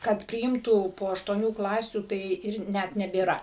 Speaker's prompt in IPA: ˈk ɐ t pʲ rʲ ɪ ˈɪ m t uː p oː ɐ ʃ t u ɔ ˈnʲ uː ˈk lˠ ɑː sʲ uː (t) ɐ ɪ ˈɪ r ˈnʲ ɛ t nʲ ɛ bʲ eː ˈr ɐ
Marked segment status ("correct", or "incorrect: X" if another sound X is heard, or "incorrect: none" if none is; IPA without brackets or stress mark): correct